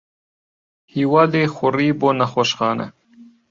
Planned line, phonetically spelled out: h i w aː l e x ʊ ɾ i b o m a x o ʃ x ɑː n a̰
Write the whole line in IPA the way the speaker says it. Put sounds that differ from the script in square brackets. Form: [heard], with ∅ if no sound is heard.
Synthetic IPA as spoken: h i w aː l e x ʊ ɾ i b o [n] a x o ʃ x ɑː n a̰